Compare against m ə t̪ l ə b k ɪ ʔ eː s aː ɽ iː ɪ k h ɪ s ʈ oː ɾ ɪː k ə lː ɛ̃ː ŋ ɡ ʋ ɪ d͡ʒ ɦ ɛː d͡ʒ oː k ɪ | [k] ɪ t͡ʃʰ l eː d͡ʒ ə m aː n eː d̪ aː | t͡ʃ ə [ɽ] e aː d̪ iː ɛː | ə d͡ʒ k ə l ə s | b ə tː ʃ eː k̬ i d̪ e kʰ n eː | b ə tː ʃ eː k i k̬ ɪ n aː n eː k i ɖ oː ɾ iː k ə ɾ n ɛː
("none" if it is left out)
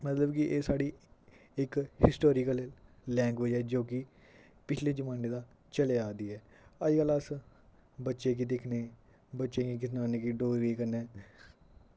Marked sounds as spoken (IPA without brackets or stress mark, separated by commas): p, l